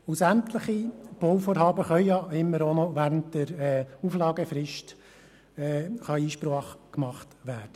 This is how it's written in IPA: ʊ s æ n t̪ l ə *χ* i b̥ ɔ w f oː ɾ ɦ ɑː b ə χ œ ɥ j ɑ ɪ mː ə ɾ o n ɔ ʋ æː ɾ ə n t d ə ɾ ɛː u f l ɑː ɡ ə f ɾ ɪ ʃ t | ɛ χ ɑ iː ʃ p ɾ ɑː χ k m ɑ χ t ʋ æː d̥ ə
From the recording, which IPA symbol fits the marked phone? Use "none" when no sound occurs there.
χ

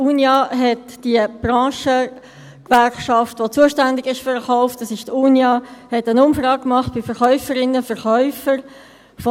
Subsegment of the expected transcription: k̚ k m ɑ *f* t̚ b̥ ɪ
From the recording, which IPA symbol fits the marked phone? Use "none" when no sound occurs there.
χ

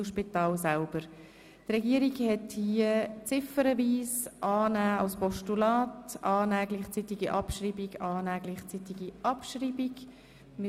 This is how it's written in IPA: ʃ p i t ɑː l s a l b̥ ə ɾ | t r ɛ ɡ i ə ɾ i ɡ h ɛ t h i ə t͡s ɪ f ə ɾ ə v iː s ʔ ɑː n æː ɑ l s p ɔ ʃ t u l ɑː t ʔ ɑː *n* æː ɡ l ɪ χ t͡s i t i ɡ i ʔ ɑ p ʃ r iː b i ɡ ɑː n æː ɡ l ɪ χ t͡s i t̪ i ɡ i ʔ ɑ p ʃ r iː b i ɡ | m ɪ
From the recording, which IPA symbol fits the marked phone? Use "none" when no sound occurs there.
n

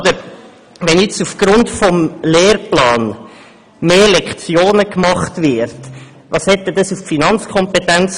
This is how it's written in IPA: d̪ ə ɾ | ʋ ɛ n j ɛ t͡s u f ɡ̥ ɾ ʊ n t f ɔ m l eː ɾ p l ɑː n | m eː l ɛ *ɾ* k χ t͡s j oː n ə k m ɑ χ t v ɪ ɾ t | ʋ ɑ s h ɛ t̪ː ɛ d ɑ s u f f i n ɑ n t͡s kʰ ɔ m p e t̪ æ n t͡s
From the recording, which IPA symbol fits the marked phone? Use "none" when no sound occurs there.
none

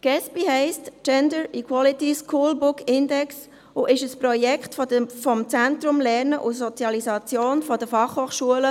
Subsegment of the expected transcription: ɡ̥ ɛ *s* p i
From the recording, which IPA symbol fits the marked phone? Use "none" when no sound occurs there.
s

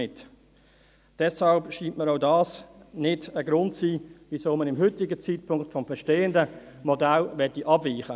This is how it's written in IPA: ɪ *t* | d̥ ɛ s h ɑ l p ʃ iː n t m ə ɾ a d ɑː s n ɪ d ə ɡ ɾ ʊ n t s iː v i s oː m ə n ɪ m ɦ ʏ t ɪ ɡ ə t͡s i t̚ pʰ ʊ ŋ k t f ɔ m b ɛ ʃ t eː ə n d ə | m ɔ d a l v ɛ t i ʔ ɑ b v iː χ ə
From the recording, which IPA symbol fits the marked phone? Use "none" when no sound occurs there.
t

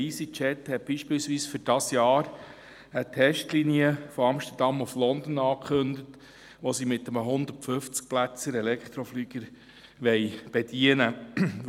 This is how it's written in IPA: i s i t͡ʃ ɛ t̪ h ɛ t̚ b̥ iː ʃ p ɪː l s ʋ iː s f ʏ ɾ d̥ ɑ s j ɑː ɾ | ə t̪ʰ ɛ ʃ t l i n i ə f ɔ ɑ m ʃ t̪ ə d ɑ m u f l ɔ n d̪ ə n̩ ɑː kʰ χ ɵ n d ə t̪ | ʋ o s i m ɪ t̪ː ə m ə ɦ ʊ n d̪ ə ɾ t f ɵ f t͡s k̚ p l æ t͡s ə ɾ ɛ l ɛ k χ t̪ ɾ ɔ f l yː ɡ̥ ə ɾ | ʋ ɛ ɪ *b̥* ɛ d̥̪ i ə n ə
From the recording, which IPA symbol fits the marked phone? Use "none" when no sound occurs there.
b̥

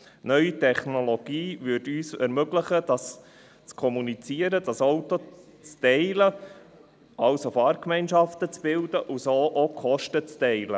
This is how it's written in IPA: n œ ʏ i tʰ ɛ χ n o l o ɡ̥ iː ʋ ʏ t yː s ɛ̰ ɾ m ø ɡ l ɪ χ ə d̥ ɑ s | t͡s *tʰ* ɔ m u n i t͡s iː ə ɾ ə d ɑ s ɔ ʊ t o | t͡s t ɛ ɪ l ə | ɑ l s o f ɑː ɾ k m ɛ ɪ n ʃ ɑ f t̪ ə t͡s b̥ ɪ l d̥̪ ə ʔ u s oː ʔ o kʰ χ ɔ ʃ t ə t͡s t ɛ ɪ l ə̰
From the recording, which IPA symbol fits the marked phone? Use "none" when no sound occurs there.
kʰ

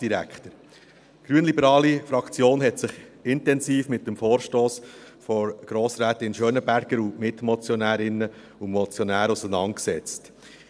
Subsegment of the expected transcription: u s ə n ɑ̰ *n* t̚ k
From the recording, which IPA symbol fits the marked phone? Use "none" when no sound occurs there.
n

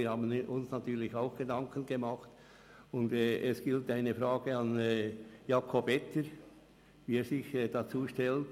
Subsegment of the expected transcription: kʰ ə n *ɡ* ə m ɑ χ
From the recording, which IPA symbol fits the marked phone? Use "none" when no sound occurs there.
ɡ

